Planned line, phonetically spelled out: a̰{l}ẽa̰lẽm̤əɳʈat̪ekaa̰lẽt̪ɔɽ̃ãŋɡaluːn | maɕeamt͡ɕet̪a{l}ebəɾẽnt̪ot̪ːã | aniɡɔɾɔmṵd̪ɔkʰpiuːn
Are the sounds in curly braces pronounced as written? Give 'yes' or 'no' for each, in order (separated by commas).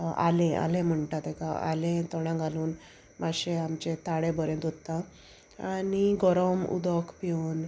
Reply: yes, no